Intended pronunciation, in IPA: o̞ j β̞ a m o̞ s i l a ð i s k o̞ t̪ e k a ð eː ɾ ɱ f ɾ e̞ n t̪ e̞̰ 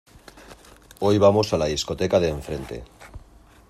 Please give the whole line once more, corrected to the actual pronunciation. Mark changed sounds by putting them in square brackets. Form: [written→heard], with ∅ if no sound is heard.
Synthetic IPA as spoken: o̞ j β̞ a m o̞ s [i→a] l a ð i s k o̞ t̪ e k a ð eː [ɾ→∅] ɱ f ɾ e̞ n t̪ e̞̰